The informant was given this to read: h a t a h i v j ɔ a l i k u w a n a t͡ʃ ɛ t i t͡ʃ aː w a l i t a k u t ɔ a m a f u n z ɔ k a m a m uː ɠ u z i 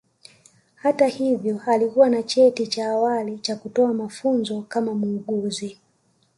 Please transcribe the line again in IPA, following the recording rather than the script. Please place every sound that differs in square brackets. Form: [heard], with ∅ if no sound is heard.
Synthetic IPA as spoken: h a t a h i v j ɔ a l i k u w a n a t͡ʃ ɛ t i t͡ʃ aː w a l i [t͡ʃ] a k u t ɔ a m a f u n z ɔ k a m a m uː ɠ u z i